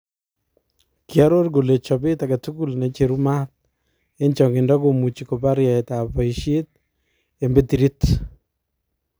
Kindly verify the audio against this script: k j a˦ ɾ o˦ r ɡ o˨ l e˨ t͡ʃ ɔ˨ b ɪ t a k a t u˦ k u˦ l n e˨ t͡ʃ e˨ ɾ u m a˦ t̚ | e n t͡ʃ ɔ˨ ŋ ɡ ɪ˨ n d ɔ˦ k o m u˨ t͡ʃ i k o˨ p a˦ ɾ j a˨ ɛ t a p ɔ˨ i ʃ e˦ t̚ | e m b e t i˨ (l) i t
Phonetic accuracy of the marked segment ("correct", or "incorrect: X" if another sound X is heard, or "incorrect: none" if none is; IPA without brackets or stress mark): incorrect: ɾ